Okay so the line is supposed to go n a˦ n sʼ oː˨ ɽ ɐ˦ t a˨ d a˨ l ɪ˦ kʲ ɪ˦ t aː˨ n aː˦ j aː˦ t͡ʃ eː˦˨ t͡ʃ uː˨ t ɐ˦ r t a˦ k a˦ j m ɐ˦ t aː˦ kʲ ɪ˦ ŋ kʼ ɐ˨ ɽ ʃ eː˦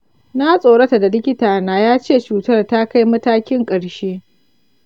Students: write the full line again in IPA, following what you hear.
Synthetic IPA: n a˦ sʼ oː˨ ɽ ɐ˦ t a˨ d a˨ l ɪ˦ kʲ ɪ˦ t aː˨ n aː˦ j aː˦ t͡ʃ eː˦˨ t͡ʃ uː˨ t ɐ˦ r t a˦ k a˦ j m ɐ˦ t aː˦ kʲ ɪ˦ ŋ kʼ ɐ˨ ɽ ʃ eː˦